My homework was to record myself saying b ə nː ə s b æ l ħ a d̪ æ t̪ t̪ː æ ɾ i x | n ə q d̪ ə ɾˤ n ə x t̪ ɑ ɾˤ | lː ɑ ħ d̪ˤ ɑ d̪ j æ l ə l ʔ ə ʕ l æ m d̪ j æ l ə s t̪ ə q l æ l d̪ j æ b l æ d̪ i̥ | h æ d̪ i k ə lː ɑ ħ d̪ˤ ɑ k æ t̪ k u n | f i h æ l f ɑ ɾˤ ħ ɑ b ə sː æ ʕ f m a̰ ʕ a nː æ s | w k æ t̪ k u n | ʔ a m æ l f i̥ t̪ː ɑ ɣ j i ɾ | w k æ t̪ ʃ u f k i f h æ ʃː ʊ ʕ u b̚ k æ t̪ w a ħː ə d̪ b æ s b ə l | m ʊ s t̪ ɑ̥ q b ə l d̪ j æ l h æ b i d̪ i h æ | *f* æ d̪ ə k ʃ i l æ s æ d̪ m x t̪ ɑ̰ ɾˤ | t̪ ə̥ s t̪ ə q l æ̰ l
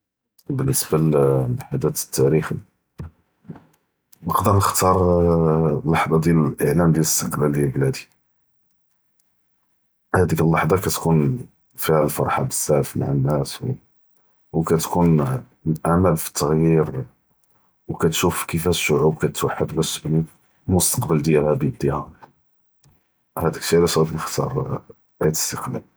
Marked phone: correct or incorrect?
incorrect